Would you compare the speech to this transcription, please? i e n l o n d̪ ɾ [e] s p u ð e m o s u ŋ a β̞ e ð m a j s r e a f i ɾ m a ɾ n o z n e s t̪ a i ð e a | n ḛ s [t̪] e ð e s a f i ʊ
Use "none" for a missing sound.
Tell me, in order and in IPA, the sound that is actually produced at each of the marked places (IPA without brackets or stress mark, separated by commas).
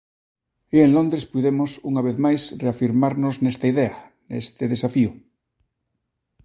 e, t̪